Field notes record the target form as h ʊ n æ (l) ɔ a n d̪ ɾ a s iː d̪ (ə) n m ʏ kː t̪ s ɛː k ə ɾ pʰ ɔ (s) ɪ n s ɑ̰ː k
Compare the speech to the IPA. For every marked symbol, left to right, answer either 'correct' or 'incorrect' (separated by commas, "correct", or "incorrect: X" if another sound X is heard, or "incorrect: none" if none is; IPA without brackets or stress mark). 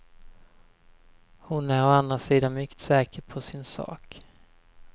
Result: incorrect: ɾ, incorrect: a, correct